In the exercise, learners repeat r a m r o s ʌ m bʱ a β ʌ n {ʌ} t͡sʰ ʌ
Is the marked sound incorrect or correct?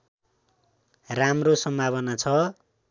incorrect: a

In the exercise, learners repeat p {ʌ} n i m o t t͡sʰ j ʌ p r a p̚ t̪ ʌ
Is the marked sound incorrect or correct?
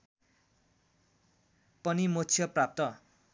correct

